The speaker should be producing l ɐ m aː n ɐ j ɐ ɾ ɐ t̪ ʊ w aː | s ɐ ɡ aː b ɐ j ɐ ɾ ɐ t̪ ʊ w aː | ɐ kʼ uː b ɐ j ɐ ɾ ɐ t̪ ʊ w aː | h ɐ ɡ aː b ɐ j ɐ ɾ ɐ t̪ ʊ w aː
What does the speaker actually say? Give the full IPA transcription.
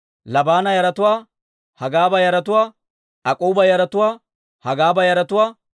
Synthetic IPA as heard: l ɐ b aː n ɐ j ɐ ɾ ɐ t̪ ʊ w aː | h ɐ ɡ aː b ɐ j ɐ ɾ ɐ t̪ ʊ w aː | ɐ kʼ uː b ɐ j ɐ ɾ ɐ t̪ ʊ w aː | h ɐ ɡ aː b ɐ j ɐ ɾ ɐ t̪ ʊ w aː